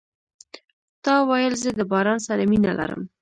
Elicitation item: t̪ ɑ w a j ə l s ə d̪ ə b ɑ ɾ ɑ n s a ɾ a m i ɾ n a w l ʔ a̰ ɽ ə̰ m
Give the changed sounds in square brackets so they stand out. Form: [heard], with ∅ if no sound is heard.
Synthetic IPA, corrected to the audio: t̪ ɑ w a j ə l [z] ə d̪ ə b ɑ ɾ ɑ n s a ɾ a m i [∅] n a [∅] l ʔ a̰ [ɾ] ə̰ m